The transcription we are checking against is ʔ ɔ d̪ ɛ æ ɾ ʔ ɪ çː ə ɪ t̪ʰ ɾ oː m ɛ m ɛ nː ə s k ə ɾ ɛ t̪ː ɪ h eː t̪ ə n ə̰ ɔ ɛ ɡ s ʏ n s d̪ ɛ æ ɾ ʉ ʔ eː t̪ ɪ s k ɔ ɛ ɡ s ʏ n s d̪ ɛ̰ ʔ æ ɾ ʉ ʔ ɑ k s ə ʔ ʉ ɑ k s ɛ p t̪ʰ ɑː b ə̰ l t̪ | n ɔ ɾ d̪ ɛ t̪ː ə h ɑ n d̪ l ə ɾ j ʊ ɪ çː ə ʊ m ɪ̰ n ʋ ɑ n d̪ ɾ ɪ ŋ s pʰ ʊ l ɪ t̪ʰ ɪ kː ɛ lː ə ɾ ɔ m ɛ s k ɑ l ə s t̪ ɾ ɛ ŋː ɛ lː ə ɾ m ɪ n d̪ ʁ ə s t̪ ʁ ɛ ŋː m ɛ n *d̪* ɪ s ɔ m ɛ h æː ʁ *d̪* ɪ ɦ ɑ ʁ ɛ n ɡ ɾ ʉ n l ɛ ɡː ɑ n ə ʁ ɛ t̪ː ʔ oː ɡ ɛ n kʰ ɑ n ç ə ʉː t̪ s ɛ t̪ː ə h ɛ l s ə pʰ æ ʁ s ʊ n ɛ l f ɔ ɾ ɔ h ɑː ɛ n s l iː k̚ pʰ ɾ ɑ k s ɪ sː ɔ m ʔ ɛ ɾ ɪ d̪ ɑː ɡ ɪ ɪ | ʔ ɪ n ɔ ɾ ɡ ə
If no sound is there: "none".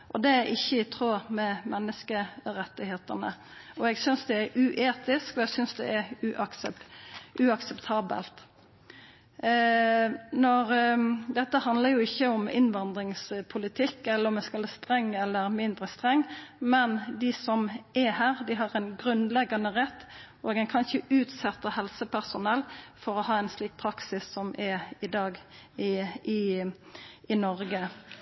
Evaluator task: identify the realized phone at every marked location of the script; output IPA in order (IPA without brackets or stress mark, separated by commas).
d̪, d̪